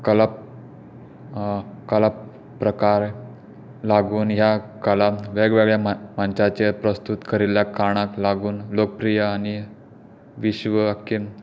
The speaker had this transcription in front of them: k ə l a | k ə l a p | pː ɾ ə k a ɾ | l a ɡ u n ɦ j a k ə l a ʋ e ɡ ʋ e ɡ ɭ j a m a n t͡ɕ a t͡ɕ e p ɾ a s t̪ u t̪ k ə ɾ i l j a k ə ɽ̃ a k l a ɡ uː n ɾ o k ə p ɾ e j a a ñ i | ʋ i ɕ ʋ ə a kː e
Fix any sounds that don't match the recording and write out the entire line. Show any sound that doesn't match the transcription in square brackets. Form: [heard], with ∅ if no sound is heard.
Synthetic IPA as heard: k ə l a | k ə l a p | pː ɾ ə k a ɾ | l a ɡ [uː] n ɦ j a k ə l a ʋ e ɡ ʋ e ɡ ɭ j a m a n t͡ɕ a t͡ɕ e p ɾ [ə] s t̪ u t̪ k ə ɾ i l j a k [a] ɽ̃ a k l a ɡ uː n [l] o k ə p ɾ [i] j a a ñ i | ʋ i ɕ ʋ ə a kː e